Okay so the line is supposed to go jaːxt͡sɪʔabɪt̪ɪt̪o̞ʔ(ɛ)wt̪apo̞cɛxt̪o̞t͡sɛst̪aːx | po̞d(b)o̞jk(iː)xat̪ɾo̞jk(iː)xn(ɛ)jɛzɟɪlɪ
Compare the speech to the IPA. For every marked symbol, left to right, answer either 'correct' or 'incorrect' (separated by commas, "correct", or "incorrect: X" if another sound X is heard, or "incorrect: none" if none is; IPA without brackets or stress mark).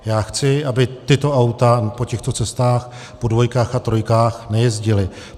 incorrect: a, incorrect: v, incorrect: aː, incorrect: aː, correct